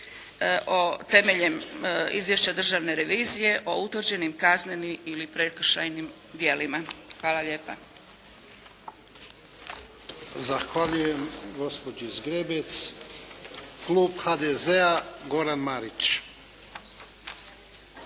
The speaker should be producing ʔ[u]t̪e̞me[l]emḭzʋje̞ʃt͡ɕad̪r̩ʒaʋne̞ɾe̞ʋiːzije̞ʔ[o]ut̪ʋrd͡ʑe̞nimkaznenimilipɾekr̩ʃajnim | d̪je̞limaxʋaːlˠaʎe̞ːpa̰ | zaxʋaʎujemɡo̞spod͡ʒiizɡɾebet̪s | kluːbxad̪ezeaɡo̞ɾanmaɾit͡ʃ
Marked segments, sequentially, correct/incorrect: incorrect: o, incorrect: ʎ, correct

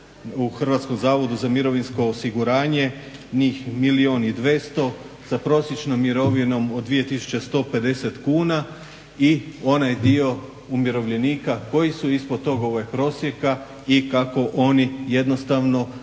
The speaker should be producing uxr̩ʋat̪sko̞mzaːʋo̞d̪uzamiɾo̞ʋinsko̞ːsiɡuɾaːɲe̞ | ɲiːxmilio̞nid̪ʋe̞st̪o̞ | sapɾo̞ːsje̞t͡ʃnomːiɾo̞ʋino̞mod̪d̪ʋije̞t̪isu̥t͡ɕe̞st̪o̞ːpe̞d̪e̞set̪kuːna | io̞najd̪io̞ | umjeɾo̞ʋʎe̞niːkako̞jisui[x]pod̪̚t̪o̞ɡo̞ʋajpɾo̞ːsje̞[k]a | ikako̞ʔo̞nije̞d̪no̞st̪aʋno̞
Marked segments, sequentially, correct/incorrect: incorrect: s, correct

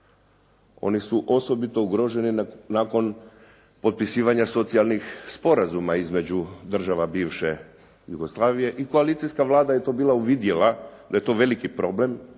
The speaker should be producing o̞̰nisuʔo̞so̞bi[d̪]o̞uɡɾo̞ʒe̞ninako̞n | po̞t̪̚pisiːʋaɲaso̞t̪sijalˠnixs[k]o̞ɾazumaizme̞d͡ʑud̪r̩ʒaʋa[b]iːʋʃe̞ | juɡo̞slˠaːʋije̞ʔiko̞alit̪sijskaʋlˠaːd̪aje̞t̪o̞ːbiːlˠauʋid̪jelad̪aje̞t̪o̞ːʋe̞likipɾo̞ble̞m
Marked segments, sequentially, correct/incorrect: incorrect: t̪, incorrect: p, correct

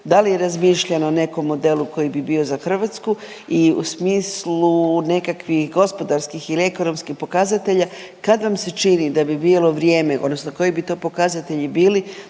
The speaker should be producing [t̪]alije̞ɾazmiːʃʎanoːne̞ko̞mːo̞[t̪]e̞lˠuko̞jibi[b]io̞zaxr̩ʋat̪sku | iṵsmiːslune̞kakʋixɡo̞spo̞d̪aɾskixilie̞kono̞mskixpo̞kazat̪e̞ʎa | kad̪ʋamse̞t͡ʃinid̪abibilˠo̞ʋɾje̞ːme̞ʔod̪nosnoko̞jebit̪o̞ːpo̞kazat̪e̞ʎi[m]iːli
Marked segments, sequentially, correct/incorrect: incorrect: d̪, incorrect: d̪, correct, incorrect: b

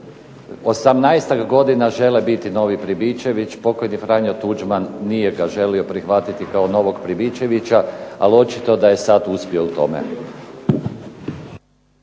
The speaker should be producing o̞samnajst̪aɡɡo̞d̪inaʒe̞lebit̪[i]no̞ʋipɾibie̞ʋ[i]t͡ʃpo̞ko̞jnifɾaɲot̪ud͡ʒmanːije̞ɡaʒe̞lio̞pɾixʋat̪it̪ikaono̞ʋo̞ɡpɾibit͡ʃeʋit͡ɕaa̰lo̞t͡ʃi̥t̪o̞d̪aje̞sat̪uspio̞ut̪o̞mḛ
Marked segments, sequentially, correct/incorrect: correct, correct

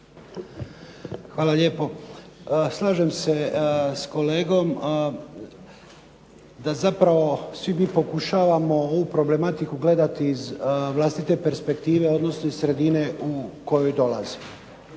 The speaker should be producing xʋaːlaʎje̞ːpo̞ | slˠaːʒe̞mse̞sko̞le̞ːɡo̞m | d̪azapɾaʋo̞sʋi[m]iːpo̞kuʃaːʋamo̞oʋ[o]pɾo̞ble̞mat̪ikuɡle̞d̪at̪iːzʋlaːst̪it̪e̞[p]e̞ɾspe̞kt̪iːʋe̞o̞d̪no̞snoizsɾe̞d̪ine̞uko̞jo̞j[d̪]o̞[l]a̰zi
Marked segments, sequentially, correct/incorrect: correct, incorrect: u, correct, correct, correct

